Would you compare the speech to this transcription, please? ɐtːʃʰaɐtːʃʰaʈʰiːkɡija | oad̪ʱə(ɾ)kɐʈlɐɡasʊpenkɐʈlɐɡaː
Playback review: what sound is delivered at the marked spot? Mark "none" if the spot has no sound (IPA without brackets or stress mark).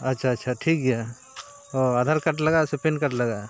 ɾ